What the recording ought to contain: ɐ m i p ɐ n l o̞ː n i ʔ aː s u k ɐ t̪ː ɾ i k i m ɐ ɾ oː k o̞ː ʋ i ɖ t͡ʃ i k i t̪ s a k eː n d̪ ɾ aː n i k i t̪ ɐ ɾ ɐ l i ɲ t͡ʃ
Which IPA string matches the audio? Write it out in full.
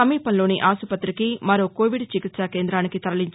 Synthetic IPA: ɐ m iː p ɐ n l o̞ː n i ʔ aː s u p ɐ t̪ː ɾ i k i m ɐ ɾ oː k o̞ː ʋ i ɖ t͡ʃ i k i t̪ s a k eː n d̪ ɾ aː n i k i t̪ ɐ ɾ ɐ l i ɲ t͡ʃ